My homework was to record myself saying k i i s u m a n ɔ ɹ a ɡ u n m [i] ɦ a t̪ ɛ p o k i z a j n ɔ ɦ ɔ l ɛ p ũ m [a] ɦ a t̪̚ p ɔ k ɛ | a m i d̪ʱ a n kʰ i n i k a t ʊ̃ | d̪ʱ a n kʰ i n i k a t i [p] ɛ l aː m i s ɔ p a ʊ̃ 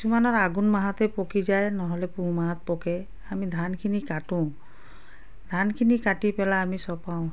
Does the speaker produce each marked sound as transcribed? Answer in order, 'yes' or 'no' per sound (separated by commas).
no, yes, yes